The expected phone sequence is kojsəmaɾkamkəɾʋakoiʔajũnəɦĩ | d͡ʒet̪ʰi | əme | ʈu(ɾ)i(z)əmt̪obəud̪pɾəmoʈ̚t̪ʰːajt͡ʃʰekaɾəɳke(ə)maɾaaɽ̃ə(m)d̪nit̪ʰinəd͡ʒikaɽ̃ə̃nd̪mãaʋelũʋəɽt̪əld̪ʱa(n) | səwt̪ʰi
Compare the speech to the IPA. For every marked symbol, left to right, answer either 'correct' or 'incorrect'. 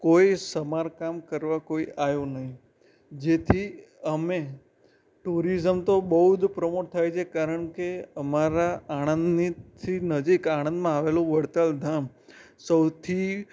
correct, correct, correct, incorrect: n, incorrect: m

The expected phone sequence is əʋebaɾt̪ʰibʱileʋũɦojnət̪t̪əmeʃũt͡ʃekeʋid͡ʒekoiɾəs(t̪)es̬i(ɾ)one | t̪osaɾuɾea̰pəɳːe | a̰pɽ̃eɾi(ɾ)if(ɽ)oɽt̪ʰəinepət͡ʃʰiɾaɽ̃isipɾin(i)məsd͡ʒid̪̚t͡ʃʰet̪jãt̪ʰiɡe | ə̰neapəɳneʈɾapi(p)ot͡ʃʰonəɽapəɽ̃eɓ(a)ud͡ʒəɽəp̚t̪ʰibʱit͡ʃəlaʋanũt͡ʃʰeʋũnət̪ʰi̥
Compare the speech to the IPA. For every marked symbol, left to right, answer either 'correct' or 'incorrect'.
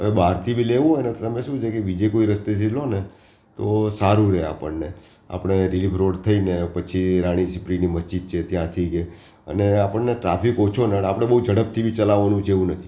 correct, incorrect: l, incorrect: l, incorrect: ɾ, correct, incorrect: k, incorrect: ə

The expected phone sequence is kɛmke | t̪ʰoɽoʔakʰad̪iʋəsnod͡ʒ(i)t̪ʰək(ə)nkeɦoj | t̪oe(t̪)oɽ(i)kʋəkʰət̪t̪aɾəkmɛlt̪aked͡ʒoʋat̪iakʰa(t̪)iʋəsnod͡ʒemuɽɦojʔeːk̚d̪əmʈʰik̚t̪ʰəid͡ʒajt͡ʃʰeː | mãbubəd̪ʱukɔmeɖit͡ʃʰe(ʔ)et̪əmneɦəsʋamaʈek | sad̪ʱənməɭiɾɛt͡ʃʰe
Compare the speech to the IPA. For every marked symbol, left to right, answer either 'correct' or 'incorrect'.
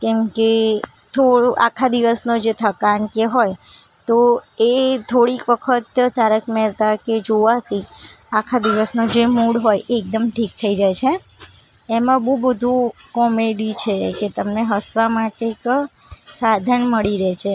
incorrect: e, incorrect: a, incorrect: t̪ʰ, correct, incorrect: d̪, incorrect: k

